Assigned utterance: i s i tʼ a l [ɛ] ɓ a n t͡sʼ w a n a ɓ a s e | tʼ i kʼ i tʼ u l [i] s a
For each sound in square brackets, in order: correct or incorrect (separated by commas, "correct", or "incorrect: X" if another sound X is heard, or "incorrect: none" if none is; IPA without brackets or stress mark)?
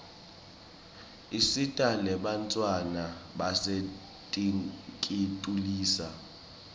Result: correct, incorrect: iː